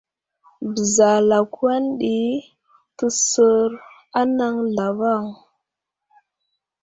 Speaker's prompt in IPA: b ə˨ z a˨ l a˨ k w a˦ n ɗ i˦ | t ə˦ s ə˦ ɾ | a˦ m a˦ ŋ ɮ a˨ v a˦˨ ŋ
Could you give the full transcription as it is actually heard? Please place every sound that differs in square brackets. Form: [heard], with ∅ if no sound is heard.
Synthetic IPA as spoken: b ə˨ z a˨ l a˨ k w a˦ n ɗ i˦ | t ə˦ s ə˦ ɾ | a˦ [n] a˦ ŋ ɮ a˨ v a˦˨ ŋ